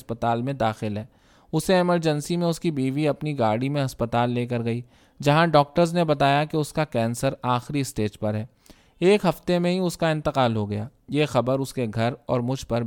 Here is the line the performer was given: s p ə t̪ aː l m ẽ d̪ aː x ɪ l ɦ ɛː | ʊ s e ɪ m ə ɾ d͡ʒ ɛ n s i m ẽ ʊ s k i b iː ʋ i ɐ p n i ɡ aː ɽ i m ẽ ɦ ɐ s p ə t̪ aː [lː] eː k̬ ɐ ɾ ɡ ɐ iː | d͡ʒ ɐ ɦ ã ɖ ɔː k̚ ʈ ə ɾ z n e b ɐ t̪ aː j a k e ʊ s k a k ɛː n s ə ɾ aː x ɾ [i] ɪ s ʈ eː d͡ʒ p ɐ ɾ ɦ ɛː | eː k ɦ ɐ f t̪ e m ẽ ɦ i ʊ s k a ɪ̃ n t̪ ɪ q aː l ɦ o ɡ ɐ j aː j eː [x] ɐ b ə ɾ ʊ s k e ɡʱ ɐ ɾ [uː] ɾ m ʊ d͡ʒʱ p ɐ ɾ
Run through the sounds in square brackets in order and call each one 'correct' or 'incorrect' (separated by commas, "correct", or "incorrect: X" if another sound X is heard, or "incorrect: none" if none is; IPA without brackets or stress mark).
correct, correct, correct, incorrect: ɔː